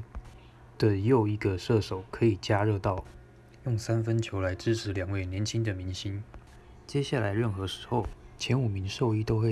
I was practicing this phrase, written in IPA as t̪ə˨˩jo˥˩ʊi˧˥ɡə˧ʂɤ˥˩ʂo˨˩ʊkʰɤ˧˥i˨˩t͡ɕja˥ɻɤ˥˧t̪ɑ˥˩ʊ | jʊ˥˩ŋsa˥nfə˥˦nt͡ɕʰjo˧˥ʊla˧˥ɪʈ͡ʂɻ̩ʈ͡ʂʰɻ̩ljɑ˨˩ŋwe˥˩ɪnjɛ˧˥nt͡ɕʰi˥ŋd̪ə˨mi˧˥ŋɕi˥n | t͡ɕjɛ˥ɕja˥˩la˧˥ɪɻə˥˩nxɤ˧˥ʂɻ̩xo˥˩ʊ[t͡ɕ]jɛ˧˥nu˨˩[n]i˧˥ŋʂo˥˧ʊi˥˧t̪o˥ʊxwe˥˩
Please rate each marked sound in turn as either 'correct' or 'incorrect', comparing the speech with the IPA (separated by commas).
incorrect, incorrect